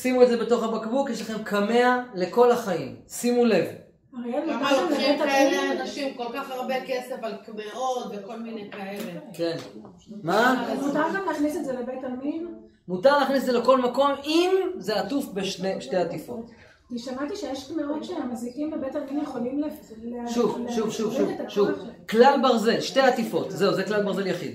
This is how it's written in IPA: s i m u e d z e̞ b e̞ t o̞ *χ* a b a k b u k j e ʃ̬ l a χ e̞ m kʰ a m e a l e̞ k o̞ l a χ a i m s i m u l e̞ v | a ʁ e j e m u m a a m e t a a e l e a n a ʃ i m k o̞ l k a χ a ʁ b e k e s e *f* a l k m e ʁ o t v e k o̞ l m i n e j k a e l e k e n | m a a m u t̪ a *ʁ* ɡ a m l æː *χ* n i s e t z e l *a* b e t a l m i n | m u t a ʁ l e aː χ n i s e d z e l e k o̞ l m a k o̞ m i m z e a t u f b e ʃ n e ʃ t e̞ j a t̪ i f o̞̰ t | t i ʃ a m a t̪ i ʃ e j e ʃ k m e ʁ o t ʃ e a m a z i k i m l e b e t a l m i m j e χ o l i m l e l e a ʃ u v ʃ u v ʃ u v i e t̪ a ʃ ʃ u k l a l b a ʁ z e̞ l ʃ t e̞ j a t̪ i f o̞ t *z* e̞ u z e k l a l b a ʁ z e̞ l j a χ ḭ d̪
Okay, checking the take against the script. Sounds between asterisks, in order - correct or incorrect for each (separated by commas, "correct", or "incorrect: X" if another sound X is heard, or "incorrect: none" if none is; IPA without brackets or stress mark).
correct, correct, correct, correct, incorrect: e, correct